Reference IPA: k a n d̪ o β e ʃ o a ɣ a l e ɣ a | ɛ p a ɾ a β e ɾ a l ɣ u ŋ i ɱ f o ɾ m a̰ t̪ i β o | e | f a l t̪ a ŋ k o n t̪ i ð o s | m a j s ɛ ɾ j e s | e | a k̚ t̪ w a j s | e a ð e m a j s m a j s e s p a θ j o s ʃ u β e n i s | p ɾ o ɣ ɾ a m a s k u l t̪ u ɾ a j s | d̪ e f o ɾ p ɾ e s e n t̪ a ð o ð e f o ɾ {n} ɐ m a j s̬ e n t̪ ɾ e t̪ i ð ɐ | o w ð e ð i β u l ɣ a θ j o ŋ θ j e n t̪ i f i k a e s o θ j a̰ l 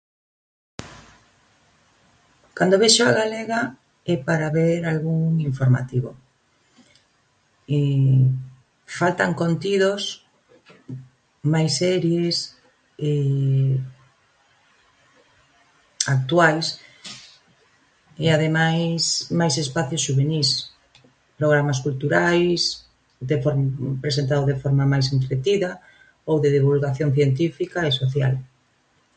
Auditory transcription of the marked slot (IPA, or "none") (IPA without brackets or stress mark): m